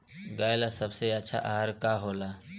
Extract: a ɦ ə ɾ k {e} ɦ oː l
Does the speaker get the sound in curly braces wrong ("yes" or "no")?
yes